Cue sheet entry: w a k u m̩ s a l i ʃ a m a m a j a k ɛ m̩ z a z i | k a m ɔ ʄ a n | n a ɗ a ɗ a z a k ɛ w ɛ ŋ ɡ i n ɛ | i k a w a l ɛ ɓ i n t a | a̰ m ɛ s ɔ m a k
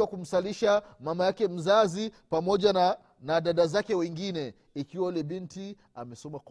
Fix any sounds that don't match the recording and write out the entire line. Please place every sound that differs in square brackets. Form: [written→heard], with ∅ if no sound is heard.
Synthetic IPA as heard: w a k u m̩ s a l i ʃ a m a m a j a k ɛ m̩ z a z i | [k→p] a m ɔ ʄ a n | n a ɗ a ɗ a z a k ɛ w ɛ ŋ ɡ i n ɛ | i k [a→i] w a l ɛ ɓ i n t [a→i] | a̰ m ɛ s ɔ m a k